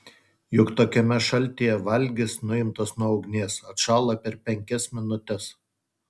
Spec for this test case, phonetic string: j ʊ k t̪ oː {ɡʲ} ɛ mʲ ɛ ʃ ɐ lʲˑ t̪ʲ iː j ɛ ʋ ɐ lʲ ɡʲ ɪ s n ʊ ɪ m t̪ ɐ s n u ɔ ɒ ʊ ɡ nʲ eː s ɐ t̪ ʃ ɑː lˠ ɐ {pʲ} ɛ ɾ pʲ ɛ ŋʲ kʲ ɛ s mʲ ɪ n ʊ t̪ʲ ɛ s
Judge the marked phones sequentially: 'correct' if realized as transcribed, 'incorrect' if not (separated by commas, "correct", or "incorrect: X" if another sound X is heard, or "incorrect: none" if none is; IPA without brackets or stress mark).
incorrect: kʲ, correct